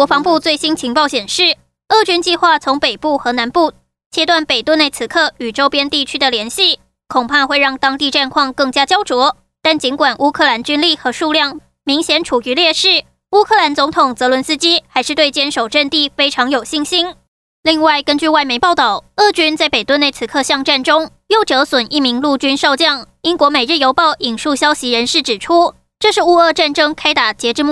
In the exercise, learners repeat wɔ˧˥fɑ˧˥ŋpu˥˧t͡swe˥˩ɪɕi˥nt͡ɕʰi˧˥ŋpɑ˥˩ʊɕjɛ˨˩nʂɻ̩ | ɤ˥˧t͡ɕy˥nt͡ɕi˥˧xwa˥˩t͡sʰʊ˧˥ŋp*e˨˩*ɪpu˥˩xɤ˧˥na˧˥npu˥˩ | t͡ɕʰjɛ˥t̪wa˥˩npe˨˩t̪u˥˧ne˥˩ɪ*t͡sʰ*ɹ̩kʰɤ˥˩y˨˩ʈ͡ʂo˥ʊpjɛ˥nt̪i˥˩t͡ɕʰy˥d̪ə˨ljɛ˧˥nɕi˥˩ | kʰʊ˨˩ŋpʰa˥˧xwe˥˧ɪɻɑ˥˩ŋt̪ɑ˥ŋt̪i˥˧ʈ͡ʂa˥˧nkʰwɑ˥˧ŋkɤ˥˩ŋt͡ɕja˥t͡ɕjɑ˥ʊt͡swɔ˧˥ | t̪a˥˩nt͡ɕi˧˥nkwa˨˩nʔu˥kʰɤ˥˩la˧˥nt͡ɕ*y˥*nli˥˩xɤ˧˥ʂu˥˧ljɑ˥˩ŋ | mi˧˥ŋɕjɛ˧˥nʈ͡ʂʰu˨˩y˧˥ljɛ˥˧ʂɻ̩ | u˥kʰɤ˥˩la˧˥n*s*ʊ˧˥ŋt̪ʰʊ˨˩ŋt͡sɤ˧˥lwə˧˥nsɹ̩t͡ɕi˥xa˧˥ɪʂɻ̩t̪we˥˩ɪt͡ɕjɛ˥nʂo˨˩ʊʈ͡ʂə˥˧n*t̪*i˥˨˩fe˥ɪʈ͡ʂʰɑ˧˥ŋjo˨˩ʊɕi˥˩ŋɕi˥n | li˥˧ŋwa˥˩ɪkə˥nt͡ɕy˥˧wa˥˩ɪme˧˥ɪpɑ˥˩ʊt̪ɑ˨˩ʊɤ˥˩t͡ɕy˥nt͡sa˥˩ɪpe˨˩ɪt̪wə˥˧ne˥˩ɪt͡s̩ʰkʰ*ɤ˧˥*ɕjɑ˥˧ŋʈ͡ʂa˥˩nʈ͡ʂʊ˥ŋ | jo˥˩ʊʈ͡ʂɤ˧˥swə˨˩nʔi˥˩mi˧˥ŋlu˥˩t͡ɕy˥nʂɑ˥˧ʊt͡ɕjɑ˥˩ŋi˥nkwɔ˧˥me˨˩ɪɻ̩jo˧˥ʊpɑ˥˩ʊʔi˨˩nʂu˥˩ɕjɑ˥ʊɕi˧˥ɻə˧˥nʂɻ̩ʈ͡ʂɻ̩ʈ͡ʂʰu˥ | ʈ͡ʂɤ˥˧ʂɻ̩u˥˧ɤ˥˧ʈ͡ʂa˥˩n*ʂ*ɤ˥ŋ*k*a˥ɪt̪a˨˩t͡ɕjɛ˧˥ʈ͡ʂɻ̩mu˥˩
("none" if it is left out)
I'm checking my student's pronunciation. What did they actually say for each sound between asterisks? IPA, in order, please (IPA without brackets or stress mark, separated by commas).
e˨˩, t͡sʰ, y˥, t͡s, t̪, ɤ˥˧, ʈ͡ʂ, kʰ